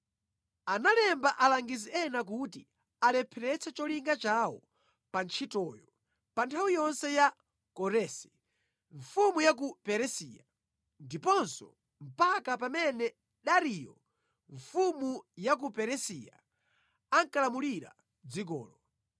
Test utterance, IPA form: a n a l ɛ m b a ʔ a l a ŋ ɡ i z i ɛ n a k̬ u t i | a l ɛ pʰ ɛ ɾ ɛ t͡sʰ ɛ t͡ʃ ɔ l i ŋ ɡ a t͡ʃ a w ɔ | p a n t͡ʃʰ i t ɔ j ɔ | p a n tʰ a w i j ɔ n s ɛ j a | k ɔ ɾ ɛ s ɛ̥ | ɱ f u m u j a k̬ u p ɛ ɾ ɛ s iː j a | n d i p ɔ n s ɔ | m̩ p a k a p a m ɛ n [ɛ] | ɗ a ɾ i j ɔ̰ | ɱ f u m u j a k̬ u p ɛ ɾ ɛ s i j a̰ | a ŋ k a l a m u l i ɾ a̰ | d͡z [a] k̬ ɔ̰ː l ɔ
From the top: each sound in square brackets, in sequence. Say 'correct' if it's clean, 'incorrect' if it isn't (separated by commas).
correct, incorrect